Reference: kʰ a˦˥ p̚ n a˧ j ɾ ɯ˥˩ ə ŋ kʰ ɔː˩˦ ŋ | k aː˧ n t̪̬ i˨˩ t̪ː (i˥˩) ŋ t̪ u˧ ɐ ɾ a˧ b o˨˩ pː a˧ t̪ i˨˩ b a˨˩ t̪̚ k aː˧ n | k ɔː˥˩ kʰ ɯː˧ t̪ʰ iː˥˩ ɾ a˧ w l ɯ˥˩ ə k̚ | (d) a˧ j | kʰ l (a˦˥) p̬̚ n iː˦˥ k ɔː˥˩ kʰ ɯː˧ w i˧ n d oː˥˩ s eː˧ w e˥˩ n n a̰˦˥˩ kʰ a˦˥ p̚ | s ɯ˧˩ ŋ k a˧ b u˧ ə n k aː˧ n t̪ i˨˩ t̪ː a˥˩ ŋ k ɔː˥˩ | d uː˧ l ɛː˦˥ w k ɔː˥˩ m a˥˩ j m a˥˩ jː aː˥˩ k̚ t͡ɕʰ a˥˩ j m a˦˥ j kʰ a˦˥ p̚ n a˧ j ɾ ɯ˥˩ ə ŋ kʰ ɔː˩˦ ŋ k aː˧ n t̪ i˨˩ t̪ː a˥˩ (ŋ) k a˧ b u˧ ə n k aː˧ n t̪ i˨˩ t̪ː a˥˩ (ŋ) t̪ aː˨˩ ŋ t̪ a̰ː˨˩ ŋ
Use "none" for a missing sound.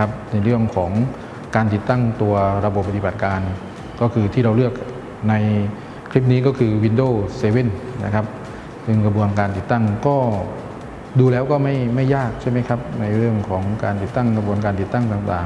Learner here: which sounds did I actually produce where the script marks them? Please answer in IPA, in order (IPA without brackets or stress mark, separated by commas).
a˥˩, n, i˦˥, ŋ, ŋ